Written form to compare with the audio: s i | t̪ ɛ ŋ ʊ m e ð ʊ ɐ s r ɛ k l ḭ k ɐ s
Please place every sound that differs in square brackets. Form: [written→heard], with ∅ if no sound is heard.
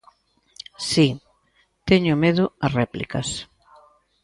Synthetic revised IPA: s i | t̪ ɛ [ŋ→ɲ] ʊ m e ð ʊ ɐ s r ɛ [k→p] l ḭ k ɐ s